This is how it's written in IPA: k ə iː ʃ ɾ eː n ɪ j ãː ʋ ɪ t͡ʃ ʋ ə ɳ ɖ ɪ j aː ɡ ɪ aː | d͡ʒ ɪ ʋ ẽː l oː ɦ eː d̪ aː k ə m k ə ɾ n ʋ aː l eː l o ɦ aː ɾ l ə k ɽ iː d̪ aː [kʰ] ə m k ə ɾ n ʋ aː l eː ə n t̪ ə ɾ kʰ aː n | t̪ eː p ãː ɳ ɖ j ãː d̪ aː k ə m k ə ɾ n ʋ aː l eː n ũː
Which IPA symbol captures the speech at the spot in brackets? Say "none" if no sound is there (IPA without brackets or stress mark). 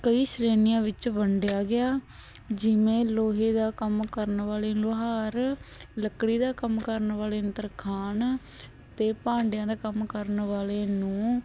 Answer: k